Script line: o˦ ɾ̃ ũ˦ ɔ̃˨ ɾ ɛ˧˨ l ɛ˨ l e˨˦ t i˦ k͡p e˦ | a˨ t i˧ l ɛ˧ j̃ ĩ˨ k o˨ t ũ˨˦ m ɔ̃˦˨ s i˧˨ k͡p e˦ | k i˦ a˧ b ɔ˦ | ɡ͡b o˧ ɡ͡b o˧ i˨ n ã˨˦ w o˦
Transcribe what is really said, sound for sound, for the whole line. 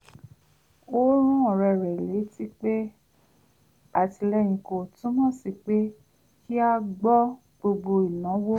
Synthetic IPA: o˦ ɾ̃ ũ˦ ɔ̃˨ ɾ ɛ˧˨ ɾ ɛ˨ l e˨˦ t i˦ k͡p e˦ | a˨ t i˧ l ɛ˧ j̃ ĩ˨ k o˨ t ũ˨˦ m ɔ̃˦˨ s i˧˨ k͡p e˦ | k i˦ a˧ ɡ͡b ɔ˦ | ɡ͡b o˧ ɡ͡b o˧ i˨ n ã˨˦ w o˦